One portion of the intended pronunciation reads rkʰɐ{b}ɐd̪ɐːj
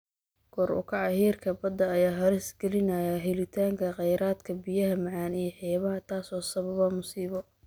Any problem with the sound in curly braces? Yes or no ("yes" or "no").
no